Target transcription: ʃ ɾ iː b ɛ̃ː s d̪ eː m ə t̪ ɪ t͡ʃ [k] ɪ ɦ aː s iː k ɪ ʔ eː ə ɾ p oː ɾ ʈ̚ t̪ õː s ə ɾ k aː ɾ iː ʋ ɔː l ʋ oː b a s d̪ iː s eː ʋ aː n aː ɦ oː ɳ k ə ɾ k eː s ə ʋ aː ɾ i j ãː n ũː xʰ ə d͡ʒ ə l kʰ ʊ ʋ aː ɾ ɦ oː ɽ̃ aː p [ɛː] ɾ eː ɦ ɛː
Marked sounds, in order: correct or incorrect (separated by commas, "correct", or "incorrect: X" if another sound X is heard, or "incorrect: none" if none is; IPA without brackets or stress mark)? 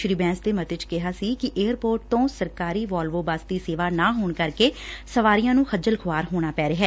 correct, correct